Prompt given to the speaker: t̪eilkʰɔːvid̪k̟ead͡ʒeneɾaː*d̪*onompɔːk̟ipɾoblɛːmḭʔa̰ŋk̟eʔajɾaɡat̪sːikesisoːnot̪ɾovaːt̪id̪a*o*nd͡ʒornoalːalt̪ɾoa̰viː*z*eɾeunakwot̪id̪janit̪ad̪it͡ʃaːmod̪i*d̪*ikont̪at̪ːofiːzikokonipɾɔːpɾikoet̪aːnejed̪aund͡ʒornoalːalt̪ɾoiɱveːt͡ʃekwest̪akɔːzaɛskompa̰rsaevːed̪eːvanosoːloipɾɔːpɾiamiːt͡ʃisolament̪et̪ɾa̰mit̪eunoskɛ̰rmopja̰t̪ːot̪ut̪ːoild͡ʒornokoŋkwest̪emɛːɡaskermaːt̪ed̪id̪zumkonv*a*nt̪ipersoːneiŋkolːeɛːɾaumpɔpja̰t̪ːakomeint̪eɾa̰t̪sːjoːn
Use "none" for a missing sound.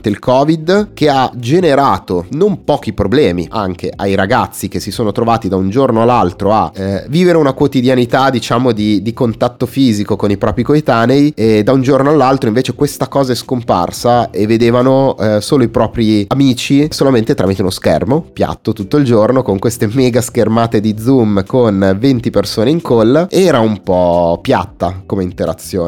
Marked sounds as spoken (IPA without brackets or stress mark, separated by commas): t̪, u, v, d̪, e